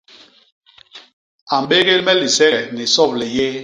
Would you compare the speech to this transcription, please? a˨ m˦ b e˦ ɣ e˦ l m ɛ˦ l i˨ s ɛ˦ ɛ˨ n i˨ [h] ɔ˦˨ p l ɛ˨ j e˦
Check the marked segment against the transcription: incorrect: s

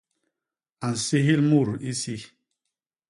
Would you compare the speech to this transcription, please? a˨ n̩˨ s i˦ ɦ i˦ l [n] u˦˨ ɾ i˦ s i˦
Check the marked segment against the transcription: incorrect: m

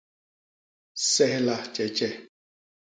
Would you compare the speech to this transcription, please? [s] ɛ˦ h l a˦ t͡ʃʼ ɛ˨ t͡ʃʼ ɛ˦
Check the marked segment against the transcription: correct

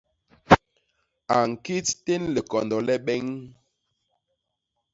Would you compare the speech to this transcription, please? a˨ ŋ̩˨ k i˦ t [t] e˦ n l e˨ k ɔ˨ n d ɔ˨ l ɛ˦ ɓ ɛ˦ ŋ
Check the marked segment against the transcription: correct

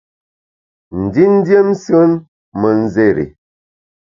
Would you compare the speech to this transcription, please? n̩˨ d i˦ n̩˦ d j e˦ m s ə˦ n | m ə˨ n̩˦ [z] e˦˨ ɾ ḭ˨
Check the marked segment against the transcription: correct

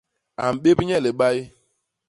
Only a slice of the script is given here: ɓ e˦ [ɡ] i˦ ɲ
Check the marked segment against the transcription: incorrect: b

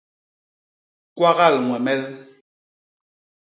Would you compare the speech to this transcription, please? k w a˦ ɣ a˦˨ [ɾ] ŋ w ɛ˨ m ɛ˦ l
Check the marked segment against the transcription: incorrect: l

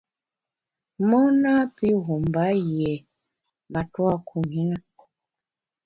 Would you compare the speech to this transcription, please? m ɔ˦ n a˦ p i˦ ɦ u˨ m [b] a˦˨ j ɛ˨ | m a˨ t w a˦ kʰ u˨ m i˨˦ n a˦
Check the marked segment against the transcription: correct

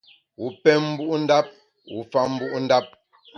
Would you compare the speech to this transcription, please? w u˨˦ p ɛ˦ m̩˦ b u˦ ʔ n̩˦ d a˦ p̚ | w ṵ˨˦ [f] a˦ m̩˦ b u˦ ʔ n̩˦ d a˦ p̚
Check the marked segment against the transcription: correct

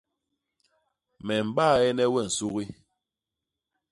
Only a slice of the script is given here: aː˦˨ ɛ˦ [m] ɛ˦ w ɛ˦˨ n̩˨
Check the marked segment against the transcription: incorrect: n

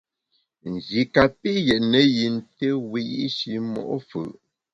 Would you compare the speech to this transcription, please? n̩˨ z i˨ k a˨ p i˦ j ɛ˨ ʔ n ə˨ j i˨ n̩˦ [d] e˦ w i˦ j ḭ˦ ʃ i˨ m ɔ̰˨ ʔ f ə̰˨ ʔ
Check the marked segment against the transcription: incorrect: t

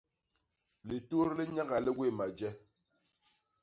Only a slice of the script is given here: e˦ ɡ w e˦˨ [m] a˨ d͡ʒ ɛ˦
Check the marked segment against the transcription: correct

